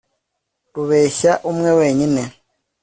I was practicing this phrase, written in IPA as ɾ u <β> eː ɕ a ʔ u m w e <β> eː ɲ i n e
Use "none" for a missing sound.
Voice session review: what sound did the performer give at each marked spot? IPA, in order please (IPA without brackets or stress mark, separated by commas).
β, w